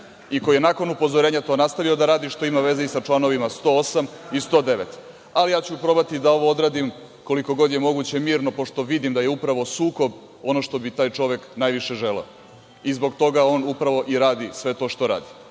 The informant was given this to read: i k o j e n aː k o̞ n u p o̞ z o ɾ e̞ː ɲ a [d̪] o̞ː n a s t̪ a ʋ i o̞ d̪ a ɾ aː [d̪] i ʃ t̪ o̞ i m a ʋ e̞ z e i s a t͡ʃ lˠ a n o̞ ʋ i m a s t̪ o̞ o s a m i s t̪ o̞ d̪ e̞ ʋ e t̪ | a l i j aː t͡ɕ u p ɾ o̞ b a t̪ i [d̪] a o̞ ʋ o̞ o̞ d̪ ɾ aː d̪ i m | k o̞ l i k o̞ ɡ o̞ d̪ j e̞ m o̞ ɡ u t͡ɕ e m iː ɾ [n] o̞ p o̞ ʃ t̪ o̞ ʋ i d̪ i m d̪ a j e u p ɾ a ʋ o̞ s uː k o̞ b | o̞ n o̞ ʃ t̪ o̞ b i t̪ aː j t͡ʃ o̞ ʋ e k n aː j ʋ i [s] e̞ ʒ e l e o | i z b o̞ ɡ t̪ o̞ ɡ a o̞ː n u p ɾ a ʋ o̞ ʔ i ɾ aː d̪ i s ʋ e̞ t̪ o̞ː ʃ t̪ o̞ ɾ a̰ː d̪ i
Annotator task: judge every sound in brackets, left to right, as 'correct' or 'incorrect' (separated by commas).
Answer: incorrect, correct, correct, correct, incorrect